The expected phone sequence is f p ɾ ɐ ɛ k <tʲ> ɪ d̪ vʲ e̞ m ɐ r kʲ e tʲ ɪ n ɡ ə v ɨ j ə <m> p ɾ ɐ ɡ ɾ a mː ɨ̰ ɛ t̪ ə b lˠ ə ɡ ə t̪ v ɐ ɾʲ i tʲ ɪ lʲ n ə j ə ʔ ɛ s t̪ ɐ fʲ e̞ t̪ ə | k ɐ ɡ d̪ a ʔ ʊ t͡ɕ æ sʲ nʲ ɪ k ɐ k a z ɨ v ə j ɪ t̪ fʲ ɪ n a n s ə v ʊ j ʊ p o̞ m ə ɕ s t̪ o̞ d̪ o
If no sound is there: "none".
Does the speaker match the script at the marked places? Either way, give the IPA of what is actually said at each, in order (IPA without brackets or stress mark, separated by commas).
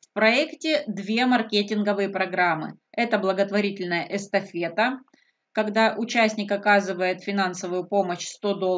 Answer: tʲ, none